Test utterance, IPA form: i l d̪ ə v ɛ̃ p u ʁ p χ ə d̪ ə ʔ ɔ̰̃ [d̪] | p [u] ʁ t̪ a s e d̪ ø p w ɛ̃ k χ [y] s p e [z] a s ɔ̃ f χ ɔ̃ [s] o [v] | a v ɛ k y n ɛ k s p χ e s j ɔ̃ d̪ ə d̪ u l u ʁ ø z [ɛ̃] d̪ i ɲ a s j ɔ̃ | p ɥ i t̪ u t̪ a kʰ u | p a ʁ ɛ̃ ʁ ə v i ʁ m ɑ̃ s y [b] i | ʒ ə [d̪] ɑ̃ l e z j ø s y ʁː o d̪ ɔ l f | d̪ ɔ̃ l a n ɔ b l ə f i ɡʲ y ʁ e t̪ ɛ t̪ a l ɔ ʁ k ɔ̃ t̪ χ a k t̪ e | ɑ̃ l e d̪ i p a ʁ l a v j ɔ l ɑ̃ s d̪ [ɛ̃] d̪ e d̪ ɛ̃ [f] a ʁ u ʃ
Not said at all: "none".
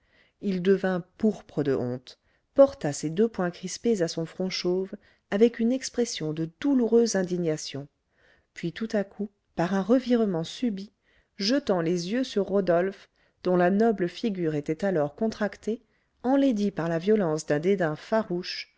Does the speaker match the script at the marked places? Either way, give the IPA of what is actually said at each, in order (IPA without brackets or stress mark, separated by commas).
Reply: t̪, ɔ, i, z, ʃ, v, ɛ̃, b, t̪, ɛ̃, f